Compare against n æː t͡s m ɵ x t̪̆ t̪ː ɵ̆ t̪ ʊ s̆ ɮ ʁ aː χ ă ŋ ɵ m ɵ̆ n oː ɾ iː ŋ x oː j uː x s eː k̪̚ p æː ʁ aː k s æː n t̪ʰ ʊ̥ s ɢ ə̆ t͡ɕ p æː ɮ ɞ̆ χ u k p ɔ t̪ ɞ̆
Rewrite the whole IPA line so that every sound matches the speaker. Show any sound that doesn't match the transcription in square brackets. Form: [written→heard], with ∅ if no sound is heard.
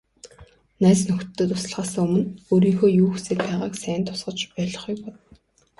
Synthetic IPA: n æː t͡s [m→n] ɵ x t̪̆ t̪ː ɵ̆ t̪ ʊ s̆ ɮ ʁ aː [χ→s] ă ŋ ɵ m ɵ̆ n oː ɾ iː ŋ x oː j uː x s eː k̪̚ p æː ʁ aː k s æː n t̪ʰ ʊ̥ s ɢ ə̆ t͡ɕ p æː ɮ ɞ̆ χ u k p ɔ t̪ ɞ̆

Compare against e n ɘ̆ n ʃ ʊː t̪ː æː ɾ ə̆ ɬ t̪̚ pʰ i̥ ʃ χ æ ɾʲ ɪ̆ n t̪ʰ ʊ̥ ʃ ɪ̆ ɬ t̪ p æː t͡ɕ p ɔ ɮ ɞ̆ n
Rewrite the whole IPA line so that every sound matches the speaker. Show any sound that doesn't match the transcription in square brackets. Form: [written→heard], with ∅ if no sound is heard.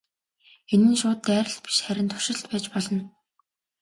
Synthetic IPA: e n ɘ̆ n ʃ ʊː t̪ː æː ɾ ə̆ ɬ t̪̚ [pʰ→p] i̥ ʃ χ æ ɾʲ ɪ̆ n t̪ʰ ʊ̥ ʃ ɪ̆ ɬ t̪ p æː t͡ɕ p ɔ ɮ ɞ̆ n

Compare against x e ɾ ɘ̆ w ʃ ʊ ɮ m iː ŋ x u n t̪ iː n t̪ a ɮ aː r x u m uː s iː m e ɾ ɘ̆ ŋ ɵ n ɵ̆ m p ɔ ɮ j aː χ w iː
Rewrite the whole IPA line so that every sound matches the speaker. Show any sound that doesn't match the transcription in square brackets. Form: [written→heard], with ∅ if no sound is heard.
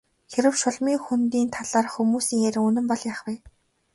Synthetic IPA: x e ɾ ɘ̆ w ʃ ʊ ɮ m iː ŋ x u n t̪ iː n [t̪→t̪ʰ] a ɮ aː r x u m uː s iː [m→ŋ] e ɾ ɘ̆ ŋ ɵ n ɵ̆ m p ɔ ɮ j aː χ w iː

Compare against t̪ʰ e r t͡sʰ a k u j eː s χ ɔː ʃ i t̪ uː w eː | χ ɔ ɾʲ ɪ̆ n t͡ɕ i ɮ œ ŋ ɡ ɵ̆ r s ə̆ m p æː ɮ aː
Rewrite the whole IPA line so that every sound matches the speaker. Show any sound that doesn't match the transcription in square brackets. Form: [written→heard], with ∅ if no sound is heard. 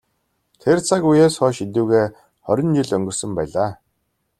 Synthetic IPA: t̪ʰ e r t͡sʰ a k u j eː s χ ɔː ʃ i t̪ uː [w→ɣ] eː | χ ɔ ɾʲ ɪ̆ n t͡ɕ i ɮ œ ŋ ɡ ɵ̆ r s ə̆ m p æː ɮ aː

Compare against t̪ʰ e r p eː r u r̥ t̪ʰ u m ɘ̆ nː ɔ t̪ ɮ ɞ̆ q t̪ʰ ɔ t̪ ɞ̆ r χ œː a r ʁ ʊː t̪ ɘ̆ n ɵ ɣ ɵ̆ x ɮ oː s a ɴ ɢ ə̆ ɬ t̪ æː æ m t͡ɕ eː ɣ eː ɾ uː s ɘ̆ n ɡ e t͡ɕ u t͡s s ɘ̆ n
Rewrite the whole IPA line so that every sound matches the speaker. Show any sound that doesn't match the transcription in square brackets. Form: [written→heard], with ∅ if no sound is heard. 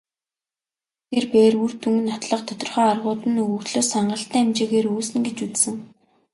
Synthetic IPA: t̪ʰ e r p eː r u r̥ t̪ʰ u [m→ŋ] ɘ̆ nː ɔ t̪ ɮ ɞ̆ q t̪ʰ ɔ t̪ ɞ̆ r χ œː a r ʁ ʊː t̪ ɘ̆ n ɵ ɣ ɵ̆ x ɮ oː s a ɴ ɢ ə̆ ɬ t̪ æː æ m t͡ɕ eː ɣ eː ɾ uː s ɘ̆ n ɡ e t͡ɕ u t͡s s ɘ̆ [n→ŋ]

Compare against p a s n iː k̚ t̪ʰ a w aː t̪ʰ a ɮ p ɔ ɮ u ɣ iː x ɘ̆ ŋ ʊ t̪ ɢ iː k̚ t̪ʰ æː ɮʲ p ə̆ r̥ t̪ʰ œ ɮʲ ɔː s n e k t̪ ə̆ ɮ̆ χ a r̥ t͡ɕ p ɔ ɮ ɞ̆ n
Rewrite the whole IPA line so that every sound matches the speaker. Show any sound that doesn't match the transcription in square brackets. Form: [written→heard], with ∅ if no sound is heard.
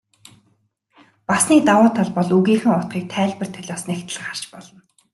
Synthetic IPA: p a s n iː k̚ [t̪ʰ→t̪] a w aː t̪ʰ a ɮ p ɔ ɮ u ɣ iː x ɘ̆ ŋ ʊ t̪ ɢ iː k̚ t̪ʰ æː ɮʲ p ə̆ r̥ t̪ʰ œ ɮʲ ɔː s n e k t̪ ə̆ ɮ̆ χ a r̥ t͡ɕ p ɔ ɮ ɞ̆ n

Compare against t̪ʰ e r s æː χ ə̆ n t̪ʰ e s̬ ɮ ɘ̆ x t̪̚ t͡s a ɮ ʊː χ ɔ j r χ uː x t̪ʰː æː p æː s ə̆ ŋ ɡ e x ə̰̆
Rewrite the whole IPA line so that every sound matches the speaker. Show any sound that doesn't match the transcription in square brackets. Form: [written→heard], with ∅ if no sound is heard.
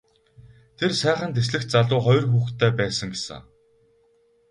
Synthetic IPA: t̪ʰ e r s æː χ ə̆ n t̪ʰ e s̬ ɮ ɘ̆ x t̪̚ t͡s a ɮ ʊː χ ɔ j r [χ→x] uː x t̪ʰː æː p æː s ə̆ ŋ ɡ e [x→s] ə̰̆

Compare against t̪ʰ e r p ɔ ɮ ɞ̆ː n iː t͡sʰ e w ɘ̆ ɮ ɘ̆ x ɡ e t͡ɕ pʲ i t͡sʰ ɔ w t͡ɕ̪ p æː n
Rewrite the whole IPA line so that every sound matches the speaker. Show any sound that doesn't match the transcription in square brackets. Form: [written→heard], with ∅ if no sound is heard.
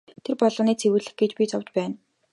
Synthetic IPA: t̪ʰ e r p ɔ ɮ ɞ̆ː n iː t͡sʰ e w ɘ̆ ɮ ɘ̆ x ɡ e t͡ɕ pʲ i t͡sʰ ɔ w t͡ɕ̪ p æː n

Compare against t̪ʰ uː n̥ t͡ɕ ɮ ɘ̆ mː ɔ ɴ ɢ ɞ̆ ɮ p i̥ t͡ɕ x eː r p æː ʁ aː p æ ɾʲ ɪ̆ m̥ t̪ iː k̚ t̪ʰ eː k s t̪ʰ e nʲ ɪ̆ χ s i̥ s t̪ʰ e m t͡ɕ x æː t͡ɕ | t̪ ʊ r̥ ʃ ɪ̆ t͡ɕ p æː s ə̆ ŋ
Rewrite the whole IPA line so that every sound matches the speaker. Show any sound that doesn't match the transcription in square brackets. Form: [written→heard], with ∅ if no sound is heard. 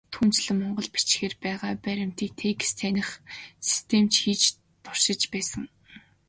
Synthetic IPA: t̪ʰ uː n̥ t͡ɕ ɮ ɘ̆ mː ɔ ɴ ɢ ɞ̆ ɮ p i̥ t͡ɕ x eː r p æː ʁ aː p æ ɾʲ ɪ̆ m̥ t̪ iː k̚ t̪ʰ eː k s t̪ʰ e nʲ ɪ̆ χ s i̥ s t̪ʰ e m t͡ɕ x [æː→iː] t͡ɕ | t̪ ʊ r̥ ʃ ɪ̆ t͡ɕ p æː s ə̆ ŋ

